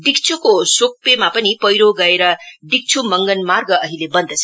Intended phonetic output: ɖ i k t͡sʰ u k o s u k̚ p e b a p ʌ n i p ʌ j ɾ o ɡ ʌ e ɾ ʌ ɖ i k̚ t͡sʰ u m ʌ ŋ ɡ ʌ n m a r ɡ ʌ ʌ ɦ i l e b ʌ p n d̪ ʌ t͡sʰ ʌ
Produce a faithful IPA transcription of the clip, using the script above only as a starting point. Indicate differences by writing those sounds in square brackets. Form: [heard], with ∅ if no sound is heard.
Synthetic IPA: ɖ i k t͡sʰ u k o s [o] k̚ p e [m] a p ʌ n i p ʌ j ɾ o ɡ ʌ e ɾ ʌ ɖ i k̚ t͡sʰ u m ʌ ŋ ɡ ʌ n m a r ɡ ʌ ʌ ɦ i l e b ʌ [∅] n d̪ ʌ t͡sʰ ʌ